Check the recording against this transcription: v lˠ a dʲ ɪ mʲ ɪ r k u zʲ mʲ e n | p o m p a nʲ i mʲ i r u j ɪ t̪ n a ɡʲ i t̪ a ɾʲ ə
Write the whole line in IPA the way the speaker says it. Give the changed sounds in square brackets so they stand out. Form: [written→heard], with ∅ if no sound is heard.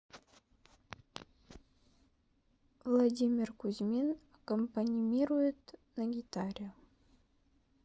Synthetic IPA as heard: v lˠ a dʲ [ɪ→i] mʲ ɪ r k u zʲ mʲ e n | [p→k] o m p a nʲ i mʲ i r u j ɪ t̪ n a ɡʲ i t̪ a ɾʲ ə